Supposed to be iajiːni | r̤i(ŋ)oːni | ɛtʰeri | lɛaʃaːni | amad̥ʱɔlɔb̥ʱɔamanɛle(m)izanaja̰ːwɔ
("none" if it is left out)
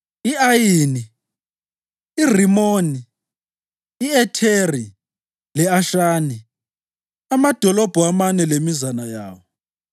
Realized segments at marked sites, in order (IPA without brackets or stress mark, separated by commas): m, m